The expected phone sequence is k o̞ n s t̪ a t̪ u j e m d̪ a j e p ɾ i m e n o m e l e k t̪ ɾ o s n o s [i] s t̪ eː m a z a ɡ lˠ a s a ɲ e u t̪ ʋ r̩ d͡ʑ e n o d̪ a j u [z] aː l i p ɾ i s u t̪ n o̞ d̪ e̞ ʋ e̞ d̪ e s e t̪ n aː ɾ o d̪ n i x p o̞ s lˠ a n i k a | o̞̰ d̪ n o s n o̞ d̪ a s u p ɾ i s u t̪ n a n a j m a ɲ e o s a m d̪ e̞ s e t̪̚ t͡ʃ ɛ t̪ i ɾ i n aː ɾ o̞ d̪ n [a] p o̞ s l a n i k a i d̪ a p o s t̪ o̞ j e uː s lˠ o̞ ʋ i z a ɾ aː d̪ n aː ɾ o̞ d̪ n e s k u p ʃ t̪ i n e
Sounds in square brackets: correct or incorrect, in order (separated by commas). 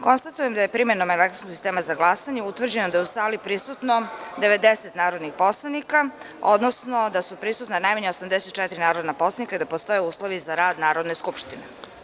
correct, incorrect, correct